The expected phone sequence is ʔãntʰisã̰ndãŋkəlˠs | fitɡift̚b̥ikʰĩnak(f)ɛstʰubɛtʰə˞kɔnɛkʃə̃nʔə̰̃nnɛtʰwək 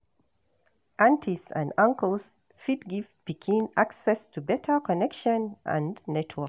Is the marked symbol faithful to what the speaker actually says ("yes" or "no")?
no